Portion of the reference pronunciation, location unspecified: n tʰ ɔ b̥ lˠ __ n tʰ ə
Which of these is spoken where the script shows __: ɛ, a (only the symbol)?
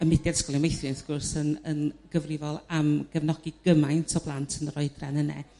a